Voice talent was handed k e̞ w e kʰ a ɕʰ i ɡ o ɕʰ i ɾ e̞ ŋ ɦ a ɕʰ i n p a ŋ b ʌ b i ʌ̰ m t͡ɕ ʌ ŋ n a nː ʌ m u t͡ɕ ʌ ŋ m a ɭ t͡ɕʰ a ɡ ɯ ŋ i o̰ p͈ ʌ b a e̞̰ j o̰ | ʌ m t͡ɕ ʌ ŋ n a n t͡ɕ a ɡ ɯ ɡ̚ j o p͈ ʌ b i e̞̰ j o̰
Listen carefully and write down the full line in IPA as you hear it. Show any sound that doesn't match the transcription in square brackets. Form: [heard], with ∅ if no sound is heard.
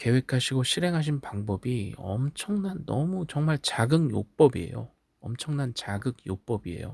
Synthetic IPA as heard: k e̞ w e kʰ a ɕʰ i ɡ o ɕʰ i ɾ e̞ ŋ ɦ a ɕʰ i n p a ŋ b ʌ b i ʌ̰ m [t͡ɕʰ] ʌ ŋ n a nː ʌ m u t͡ɕ ʌ ŋ m a ɭ [t͡ɕ] a ɡ ɯ ŋ [j] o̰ p͈ ʌ b [i] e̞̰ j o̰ | ʌ m [t͡ɕʰ] ʌ ŋ n a n t͡ɕ a ɡ ɯ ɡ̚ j o p͈ ʌ b i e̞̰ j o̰

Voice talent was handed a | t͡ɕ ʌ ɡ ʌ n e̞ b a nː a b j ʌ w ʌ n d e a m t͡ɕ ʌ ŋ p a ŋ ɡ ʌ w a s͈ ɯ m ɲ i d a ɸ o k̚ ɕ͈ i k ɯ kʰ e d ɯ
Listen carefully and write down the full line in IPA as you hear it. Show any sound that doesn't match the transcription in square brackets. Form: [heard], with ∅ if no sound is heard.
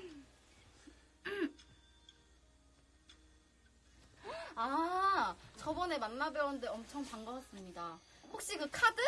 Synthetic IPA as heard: a | t͡ɕ ʌ [b] ʌ n e̞ [m] a nː a b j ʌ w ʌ n d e [ʌ] m [t͡ɕʰ] ʌ ŋ p a ŋ ɡ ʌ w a s͈ ɯ m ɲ i d a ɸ o k̚ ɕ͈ i k ɯ kʰ [a] d ɯ

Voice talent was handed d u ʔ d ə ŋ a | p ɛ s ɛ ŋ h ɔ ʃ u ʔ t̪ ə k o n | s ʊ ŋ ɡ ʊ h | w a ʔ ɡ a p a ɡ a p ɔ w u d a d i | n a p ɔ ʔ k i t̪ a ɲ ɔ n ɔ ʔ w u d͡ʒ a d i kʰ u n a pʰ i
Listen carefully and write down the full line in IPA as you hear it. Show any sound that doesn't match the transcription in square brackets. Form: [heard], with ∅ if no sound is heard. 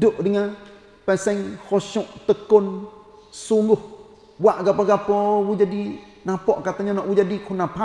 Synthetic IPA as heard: d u ʔ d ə ŋ a | p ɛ s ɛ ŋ h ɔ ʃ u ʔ t̪ ə k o n | s [u] ŋ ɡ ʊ h | w a ʔ ɡ a p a ɡ a p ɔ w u [d͡ʒ] a d i | n a p ɔ ʔ k [a] t̪ a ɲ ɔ n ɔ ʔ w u d͡ʒ a d i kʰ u n a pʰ [a]

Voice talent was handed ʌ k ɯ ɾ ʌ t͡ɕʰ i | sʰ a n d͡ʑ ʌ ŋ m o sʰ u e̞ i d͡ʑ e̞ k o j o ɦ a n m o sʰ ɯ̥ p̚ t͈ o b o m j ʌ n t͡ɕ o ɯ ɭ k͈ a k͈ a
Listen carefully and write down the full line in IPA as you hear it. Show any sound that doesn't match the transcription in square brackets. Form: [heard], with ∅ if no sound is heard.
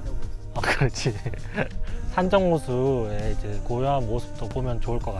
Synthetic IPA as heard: ʌ k ɯ ɾ ʌ t͡ɕʰ i | sʰ a n d͡ʑ ʌ ŋ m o sʰ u e̞ i d͡ʑ e̞ k o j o ɦ a n m o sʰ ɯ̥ p̚ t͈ o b o m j ʌ n t͡ɕ o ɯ ɭ k͈ [ʌ] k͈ a

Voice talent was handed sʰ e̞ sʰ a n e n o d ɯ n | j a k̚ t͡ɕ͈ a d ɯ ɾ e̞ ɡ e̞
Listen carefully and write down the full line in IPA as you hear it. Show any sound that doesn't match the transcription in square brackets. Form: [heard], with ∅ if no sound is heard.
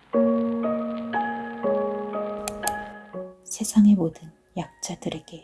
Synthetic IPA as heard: sʰ e̞ sʰ a [ŋ] e [m] o d ɯ n | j a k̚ t͡ɕ͈ a d ɯ ɾ e̞ ɡ e̞

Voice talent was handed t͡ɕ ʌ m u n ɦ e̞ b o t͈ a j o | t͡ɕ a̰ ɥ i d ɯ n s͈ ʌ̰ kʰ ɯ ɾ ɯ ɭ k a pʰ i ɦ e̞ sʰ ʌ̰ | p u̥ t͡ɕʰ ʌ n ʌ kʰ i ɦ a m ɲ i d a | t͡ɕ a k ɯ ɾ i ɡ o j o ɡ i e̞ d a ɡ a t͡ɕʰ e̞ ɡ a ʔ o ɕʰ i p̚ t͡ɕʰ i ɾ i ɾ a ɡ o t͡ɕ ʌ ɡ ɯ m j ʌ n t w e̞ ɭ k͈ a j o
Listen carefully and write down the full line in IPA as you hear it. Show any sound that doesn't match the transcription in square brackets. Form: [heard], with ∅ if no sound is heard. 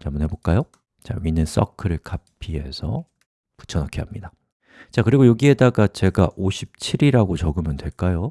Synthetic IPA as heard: t͡ɕ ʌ m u n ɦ e̞ b o [k͈] a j o | t͡ɕ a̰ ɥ i [n] ɯ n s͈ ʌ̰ kʰ ɯ ɾ ɯ ɭ k a pʰ i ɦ e̞ sʰ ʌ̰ | p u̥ t͡ɕʰ ʌ n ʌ kʰ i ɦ a m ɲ i d a | t͡ɕ a k ɯ ɾ i ɡ o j o ɡ i e̞ d a ɡ a [t͡ɕ] e̞ ɡ a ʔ o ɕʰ i p̚ t͡ɕʰ i ɾ i ɾ a ɡ o t͡ɕ ʌ ɡ ɯ m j ʌ n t w e̞ ɭ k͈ a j o

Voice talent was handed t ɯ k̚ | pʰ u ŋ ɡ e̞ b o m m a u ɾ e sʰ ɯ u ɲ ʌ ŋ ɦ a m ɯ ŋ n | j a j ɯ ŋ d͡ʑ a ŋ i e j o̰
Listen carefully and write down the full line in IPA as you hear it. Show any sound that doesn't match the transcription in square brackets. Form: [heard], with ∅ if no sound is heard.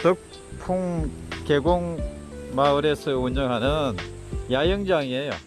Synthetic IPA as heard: t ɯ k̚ | pʰ u ŋ [k] e̞ [ɡ] o [ŋ] m a [ɯ] ɾ e sʰ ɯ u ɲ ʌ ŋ ɦ a [n] ɯ [∅] n | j a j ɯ ŋ d͡ʑ a ŋ i e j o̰

